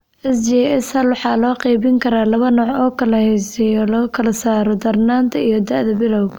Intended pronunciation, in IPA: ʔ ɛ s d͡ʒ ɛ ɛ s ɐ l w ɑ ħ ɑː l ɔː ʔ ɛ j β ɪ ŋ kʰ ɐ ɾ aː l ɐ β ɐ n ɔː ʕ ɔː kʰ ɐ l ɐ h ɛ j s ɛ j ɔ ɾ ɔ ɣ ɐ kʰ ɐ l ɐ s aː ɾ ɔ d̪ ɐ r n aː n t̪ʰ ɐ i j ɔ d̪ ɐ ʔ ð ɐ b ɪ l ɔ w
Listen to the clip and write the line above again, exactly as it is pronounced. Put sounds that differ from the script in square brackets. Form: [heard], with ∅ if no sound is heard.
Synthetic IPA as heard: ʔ ɛ s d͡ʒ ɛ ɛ s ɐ l w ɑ ħ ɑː l ɔː [q] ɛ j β ɪ ŋ kʰ ɐ ɾ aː l ɐ β ɐ n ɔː ʕ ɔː kʰ ɐ l ɐ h ɛ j s ɛ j ɔ [l] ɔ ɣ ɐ kʰ ɐ l ɐ s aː ɾ ɔ d̪ ɐ r n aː n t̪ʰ ɐ i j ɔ d̪ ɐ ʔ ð ɐ b ɪ l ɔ w